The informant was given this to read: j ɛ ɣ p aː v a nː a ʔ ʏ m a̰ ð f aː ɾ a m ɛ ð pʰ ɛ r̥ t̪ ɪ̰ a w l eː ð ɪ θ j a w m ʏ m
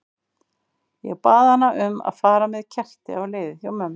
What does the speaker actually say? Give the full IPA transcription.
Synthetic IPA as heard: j ɛ ɣ p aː ð a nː a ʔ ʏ m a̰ ð f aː ɾ a m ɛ ð cʰ ɛ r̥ t̪ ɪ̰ a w l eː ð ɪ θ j a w m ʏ m